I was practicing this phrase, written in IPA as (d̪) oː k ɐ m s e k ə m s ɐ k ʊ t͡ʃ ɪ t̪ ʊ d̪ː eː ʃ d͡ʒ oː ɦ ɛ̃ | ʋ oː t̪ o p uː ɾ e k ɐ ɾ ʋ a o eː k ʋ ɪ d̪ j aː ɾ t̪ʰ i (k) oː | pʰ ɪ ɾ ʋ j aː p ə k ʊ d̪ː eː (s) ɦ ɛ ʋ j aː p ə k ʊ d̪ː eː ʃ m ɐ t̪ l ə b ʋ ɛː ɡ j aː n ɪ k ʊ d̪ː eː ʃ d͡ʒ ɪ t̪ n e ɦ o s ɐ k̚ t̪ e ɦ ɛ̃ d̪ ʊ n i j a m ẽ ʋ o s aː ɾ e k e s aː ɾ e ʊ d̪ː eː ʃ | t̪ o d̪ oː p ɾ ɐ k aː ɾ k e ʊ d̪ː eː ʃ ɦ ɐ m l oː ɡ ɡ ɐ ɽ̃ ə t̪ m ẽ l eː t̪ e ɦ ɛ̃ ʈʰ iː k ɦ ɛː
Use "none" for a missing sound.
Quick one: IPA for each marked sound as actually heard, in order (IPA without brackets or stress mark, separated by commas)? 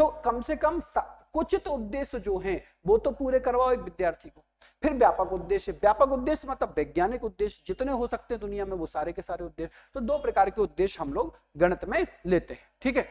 t̪, k, ʃ